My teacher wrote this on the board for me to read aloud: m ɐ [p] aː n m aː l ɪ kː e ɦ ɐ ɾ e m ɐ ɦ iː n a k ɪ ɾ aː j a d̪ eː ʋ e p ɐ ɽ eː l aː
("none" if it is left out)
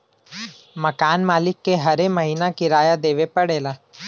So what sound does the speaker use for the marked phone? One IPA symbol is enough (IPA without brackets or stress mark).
k